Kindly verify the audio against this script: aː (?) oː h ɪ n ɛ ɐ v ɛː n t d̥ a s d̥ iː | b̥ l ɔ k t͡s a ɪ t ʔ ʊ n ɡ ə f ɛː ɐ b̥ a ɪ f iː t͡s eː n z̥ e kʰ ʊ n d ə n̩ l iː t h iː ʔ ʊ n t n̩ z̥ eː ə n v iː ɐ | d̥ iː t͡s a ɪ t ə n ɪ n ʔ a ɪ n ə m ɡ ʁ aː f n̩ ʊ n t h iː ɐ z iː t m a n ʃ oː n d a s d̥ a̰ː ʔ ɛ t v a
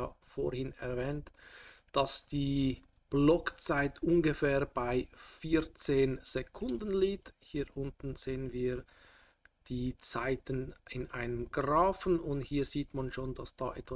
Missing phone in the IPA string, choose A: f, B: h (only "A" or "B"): A